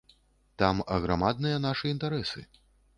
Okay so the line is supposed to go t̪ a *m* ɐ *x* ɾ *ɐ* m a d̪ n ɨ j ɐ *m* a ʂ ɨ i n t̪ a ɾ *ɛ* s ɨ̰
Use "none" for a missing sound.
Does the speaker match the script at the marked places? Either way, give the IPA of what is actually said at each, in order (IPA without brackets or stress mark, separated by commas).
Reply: m, ɣ, a, n, ɛ